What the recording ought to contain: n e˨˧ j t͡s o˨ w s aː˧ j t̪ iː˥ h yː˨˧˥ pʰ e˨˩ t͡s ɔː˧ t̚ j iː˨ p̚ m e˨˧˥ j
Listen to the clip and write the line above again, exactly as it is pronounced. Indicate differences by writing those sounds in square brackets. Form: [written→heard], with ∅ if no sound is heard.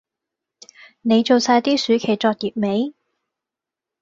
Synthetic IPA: n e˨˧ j t͡s o˨ w s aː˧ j t̪ iː˥ [h→s] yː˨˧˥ [pʰ→kʰ] e˨˩ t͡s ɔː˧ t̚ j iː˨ p̚ m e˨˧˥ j